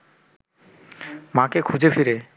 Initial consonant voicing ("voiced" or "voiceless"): voiced